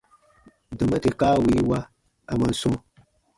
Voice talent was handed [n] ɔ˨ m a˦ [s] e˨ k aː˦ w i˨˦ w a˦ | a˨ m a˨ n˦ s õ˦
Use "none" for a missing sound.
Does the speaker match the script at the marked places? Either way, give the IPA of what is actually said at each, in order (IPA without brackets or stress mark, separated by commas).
d, t